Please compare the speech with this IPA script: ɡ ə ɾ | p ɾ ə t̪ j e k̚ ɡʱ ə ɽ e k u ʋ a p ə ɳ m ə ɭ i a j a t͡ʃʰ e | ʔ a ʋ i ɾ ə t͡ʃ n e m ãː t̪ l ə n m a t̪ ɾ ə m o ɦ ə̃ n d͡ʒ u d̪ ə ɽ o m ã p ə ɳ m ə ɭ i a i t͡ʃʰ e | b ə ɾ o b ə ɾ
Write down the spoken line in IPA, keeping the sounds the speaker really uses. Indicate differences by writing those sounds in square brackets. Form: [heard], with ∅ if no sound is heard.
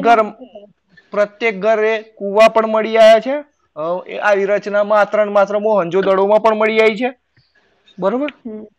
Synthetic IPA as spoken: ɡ ə ɾ | p ɾ ə t̪ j e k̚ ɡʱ ə [ɾ] e k u ʋ a p ə ɳ m ə ɭ i a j a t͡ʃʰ e | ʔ a ʋ i ɾ ə t͡ʃ n [a] m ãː t̪ [ɾ] ə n m a t̪ ɾ ə m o ɦ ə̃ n d͡ʒ [o] d̪ ə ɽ o m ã p ə ɳ m ə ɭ i a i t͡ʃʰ e | b ə ɾ o b ə ɾ